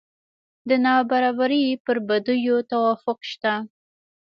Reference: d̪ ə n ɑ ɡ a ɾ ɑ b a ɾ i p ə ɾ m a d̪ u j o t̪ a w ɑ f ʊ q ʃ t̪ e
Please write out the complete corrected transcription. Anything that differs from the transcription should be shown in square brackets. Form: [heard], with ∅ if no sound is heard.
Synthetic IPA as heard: d̪ ə n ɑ [b] a ɾ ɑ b a ɾ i p ə ɾ [b] a d̪ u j o t̪ a w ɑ f ʊ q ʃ t̪ [a]